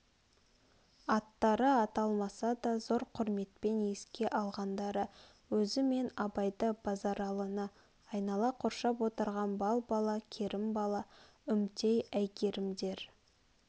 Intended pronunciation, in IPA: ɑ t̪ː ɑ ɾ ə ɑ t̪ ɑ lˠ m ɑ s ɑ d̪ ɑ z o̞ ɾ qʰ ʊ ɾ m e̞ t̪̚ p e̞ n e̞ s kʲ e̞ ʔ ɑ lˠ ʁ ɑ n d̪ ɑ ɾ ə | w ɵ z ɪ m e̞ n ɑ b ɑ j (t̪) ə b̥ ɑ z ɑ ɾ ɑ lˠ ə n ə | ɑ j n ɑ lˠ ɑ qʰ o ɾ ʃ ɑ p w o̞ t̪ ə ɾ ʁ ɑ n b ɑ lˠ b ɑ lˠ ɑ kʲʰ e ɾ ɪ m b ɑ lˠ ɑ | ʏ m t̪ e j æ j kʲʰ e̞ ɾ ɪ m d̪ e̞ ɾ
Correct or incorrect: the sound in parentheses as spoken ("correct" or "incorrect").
incorrect